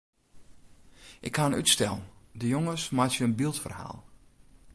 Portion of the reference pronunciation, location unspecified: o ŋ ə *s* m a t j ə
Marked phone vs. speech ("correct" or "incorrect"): correct